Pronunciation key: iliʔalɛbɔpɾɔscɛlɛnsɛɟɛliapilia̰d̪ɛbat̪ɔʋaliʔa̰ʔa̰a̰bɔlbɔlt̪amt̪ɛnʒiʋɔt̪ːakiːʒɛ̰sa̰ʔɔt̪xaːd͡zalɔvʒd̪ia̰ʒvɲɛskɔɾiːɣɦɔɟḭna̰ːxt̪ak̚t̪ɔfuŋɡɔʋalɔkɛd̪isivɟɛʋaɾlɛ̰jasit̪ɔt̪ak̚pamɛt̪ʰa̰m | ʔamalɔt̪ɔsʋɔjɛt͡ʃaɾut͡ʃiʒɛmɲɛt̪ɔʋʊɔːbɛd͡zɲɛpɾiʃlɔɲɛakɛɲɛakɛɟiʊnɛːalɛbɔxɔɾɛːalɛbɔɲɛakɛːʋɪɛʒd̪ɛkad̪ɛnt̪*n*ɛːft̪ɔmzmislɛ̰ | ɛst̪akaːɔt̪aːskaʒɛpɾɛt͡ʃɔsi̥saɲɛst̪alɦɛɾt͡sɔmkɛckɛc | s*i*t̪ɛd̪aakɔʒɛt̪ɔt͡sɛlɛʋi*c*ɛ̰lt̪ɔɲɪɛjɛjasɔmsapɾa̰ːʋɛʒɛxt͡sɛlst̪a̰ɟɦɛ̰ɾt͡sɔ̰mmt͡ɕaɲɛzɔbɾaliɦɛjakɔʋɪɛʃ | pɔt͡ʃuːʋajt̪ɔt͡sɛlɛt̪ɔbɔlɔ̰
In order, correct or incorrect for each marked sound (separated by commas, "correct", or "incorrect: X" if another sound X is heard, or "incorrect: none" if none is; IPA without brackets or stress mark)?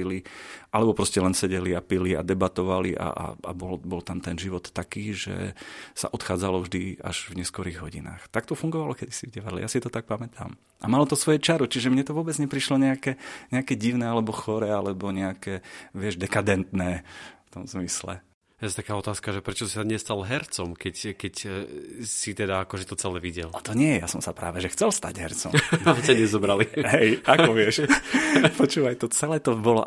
correct, correct, incorrect: ɟ